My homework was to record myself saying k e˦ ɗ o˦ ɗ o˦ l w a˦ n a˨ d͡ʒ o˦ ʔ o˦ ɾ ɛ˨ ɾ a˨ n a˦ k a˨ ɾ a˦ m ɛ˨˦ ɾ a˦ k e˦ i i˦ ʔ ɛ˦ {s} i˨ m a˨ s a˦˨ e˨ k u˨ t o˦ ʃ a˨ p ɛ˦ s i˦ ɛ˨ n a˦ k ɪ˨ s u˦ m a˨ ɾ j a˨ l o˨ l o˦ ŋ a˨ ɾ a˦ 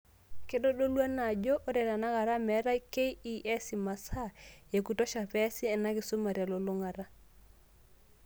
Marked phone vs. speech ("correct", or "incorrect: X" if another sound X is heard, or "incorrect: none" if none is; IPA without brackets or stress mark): correct